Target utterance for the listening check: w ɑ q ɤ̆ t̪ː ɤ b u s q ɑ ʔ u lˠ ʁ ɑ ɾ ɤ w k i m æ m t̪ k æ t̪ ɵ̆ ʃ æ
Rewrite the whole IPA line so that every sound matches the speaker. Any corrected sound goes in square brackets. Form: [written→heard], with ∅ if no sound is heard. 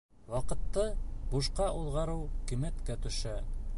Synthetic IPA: w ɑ q ɤ̆ t̪ː ɤ b u [s→ʃ] q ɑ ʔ u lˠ ʁ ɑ ɾ ɤ w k i m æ [m→∅] t̪ k æ t̪ ɵ̆ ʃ æ

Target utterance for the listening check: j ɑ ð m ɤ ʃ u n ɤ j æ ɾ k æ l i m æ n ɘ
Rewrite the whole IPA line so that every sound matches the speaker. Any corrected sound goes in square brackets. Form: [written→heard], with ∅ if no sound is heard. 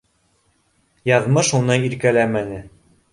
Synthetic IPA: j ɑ ð m ɤ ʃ u n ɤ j [æ→i] ɾ k æ l [i→æ] m æ n ɘ

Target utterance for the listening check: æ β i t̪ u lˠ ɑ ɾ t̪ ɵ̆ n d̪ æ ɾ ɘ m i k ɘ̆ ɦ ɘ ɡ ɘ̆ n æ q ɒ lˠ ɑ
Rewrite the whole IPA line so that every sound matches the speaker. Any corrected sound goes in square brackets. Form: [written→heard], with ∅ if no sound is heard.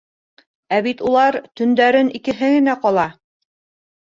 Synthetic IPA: æ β i t̪ u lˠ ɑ ɾ t̪ ɵ̆ n d̪ æ ɾ ɘ [m→n] i k ɘ̆ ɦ ɘ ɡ ɘ̆ n æ q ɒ lˠ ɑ

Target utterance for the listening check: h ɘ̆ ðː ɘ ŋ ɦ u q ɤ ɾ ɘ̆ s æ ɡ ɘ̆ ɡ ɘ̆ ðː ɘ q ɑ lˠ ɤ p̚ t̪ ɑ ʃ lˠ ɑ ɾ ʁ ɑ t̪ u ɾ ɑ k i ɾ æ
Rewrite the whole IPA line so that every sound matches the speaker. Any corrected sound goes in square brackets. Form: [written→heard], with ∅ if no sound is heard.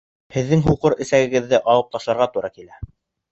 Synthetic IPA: h ɘ̆ ðː ɘ ŋ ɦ u q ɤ ɾ ɘ̆ s æ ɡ ɘ̆ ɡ ɘ̆ ðː ɘ [q→ʔ] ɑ lˠ ɤ p̚ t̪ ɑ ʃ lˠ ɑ ɾ ʁ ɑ t̪ u ɾ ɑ k i [ɾ→l] æ

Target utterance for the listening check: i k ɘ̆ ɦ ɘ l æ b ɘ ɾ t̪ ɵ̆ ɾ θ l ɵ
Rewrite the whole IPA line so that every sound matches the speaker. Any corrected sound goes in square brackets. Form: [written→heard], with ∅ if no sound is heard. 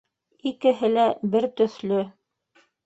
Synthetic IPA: i k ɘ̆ ɦ ɘ l æ b ɘ ɾ t̪ ɵ̆ [ɾ→∅] θ l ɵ

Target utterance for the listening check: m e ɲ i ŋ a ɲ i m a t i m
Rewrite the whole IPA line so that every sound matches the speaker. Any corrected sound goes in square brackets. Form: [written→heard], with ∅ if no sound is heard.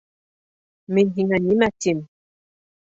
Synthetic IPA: m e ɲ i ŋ a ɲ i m a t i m

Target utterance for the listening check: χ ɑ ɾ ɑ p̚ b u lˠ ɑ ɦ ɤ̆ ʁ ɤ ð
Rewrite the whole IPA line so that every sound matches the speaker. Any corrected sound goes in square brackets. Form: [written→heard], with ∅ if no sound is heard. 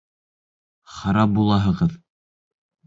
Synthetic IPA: χ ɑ ɾ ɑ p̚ b u lˠ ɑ ɦ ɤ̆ ʁ ɤ ð

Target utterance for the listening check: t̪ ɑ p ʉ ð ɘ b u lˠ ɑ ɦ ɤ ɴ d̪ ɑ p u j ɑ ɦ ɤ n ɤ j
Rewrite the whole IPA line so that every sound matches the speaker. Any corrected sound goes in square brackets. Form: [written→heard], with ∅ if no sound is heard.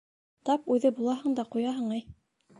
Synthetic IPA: t̪ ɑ p ʉ ð ɘ b u lˠ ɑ ɦ ɤ ɴ d̪ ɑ [p→q] u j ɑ ɦ ɤ [n→ɴ] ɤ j

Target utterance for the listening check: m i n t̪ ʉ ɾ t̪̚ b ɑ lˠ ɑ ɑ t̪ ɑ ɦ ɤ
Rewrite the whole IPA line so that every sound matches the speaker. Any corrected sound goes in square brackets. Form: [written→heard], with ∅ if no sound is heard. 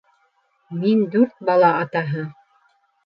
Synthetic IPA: m i n [t̪→d̪] ʉ ɾ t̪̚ b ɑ lˠ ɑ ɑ t̪ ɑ ɦ ɤ

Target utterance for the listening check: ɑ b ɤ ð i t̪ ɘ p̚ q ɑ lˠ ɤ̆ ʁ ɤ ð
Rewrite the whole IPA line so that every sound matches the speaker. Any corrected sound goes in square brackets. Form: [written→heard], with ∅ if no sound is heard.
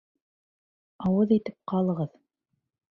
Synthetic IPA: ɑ [b→w] ɤ ð i t̪ ɘ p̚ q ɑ lˠ ɤ̆ ʁ ɤ ð

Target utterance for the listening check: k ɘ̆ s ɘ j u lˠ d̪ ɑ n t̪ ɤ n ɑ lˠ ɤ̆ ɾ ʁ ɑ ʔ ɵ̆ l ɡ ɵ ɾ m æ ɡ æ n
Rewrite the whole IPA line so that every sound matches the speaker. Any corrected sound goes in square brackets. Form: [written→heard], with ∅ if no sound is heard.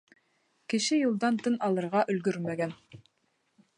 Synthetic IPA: k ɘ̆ [s→ʃ] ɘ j u lˠ d̪ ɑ n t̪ ɤ n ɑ lˠ ɤ̆ ɾ ʁ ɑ ʔ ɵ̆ l ɡ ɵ ɾ m æ ɡ æ n

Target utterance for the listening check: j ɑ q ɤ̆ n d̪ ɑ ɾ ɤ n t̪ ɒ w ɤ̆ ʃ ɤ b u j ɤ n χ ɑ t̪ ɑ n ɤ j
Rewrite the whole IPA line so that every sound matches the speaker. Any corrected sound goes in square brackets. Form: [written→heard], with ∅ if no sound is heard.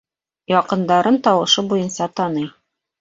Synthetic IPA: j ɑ q ɤ̆ n d̪ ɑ ɾ ɤ n t̪ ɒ w ɤ̆ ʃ ɤ b u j ɤ n [χ→s] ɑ t̪ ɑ n ɤ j

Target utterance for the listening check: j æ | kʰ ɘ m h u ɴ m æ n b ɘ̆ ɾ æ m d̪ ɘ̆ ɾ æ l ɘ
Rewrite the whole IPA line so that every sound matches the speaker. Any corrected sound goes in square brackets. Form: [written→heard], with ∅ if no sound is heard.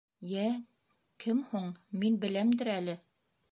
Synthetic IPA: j æ | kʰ ɘ m h u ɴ m [æ→i] n b ɘ̆ [ɾ→l] æ m d̪ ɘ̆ ɾ æ l ɘ

